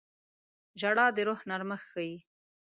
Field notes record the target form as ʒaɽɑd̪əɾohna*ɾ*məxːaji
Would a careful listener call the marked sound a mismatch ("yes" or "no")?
no